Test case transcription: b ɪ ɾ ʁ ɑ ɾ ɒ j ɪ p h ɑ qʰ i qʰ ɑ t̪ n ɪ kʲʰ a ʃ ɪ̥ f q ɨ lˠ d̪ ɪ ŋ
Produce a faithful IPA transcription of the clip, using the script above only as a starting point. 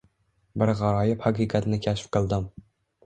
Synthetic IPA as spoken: b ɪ ɾ ʁ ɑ ɾ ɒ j ɪ p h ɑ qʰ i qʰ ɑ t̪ n ɪ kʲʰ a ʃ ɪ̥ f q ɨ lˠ d̪ ɪ m